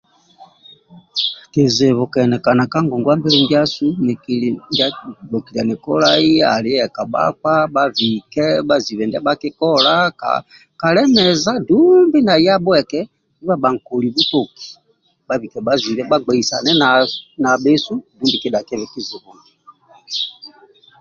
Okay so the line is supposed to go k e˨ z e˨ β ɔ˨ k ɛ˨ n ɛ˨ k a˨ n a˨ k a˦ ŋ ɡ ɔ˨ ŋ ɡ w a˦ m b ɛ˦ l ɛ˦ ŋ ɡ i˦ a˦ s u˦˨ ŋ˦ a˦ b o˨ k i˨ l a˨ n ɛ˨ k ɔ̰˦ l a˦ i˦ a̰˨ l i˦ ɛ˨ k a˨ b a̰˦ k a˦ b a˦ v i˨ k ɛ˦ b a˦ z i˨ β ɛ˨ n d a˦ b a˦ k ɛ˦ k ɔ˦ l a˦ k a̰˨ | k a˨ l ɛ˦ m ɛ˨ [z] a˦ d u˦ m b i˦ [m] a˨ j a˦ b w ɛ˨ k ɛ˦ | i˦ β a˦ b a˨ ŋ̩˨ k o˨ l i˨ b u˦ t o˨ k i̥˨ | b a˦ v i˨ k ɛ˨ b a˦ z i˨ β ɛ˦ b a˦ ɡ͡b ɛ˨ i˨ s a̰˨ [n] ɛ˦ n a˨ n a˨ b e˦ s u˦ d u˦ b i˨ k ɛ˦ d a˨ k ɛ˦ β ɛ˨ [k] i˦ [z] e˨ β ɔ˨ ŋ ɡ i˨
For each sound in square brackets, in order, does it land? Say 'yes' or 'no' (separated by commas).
yes, no, yes, yes, yes